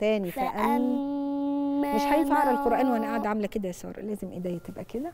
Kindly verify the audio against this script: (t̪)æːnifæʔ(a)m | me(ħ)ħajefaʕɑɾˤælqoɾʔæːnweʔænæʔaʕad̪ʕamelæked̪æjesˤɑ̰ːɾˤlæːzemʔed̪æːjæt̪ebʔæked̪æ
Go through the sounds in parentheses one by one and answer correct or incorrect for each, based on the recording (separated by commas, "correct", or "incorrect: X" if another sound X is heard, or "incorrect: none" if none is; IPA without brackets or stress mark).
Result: correct, incorrect: æ, incorrect: ʃ